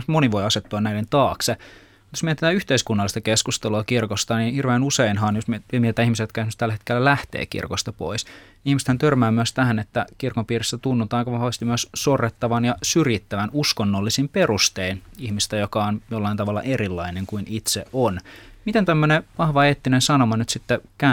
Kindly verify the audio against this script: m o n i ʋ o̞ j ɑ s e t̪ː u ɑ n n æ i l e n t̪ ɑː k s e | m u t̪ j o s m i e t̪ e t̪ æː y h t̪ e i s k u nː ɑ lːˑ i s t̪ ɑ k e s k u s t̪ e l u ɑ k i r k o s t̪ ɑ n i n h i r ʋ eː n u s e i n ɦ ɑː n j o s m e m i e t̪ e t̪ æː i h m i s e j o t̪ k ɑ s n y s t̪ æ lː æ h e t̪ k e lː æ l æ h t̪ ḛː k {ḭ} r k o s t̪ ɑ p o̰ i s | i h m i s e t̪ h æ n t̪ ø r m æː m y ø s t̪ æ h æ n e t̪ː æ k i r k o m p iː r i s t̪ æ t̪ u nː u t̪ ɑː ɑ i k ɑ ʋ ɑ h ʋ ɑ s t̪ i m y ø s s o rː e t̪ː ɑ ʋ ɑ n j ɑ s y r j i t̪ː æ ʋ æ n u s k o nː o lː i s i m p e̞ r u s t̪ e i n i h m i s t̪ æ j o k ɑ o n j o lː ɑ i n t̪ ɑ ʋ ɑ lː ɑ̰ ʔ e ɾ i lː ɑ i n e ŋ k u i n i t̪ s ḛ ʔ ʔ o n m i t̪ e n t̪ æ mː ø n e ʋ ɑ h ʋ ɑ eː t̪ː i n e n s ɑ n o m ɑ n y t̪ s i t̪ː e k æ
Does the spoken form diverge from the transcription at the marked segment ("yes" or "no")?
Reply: no